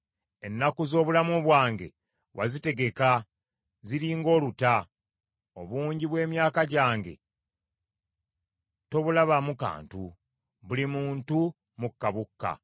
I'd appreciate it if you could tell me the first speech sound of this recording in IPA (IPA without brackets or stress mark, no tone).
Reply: e̞